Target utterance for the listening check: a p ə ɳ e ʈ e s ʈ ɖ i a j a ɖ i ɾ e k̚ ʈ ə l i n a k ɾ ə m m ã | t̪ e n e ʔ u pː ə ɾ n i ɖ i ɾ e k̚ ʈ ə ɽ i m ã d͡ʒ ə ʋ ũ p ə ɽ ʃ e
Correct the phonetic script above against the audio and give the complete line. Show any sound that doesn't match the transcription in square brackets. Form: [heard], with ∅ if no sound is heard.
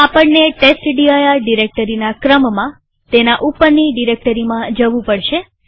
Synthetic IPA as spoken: a p ə [ɳː] e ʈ e s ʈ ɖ i a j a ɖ i ɾ e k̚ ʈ ə [ɾ] i n a k ɾ ə m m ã | t̪ e n [a] ʔ u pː ə ɾ n i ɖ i ɾ e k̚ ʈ ə [ɾ] i m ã d͡ʒ ə ʋ ũ p ə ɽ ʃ e